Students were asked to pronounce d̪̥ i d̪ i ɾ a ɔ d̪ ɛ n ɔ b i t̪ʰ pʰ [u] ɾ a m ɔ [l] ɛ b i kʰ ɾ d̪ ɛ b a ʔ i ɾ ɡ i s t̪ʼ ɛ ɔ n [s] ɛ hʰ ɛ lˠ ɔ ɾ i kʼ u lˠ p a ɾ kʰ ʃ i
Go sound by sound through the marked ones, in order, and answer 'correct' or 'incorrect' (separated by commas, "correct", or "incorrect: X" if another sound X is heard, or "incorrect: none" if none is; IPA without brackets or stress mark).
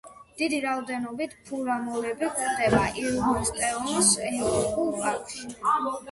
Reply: correct, correct, correct